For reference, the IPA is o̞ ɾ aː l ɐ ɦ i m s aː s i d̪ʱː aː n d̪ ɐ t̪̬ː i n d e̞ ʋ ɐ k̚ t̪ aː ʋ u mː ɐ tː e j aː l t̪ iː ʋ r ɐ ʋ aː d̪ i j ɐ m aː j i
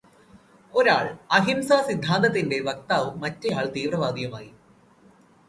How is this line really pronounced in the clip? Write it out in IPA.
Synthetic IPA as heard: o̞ ɾ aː ɭ ɐ ɦ i m s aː s i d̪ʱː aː n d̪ ɐ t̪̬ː i n d e̞ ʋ ɐ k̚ t̪ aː ʋ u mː ɐ tː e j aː ɭ t̪ iː ʋ r ɐ ʋ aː d̪ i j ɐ m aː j i